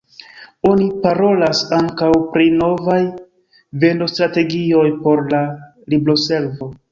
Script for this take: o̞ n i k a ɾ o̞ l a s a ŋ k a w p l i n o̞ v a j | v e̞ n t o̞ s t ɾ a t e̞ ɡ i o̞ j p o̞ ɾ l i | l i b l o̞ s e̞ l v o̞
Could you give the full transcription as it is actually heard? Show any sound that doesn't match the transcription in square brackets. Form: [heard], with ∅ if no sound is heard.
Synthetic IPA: o̞ n i [p] a ɾ o̞ l a s a ŋ k a w p [ɾ] i n o̞ v a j | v e̞ n [d] o̞ s t ɾ a t e̞ ɡ i o̞ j p o̞ ɾ l [a] | l i b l o̞ s e̞ l v o̞